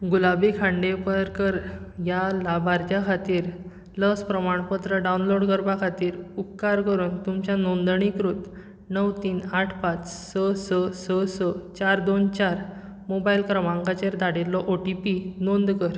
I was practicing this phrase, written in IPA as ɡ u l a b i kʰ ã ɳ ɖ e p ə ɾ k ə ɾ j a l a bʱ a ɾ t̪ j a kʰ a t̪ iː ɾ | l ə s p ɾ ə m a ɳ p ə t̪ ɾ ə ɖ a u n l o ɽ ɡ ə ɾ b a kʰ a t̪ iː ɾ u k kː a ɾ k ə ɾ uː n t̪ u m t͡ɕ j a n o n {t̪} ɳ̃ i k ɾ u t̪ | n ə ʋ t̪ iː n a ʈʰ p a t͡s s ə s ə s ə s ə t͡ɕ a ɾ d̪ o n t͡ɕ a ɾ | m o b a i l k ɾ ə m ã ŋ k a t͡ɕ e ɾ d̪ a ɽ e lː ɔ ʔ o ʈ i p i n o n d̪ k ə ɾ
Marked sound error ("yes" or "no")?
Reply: yes